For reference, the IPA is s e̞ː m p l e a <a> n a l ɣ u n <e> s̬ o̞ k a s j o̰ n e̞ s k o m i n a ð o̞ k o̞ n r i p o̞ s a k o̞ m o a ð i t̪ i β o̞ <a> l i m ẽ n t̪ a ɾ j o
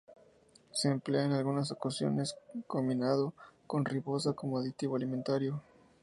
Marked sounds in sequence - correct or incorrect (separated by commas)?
incorrect, incorrect, correct